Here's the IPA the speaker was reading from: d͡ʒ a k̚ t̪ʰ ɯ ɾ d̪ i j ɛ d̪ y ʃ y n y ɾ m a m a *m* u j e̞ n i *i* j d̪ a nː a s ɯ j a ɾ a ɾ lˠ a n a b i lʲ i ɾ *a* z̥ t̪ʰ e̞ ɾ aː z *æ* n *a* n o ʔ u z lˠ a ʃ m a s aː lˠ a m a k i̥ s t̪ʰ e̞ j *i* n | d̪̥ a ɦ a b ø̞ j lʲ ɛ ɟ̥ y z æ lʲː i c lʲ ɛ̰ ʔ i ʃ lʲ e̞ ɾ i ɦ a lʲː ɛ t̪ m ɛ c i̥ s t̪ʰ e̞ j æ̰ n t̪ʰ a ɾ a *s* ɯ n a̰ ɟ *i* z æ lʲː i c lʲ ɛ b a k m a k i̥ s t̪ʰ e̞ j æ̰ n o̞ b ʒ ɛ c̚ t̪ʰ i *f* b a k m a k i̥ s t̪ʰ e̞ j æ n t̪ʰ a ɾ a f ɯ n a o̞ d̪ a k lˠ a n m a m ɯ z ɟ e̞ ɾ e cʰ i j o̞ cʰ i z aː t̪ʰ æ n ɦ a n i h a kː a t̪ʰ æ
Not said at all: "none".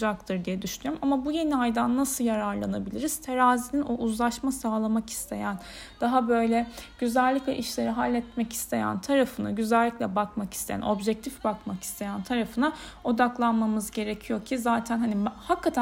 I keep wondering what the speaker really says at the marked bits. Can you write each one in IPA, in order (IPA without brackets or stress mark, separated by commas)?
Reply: b, a, i, i, i, æ, f, y, f